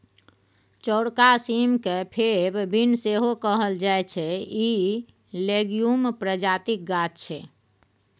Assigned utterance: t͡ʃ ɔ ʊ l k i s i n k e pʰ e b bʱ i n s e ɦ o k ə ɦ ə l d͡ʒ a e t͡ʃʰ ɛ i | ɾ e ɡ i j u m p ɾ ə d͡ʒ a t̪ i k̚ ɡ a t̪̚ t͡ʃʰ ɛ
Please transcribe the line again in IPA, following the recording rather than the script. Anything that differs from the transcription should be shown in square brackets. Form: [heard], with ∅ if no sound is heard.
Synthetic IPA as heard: t͡ʃ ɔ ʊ [ɽ] k [a] s i [m] k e pʰ e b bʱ i n s e ɦ o k ə ɦ ə l d͡ʒ a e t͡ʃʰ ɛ i | [l] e ɡ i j u m p ɾ ə d͡ʒ a t̪ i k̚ ɡ a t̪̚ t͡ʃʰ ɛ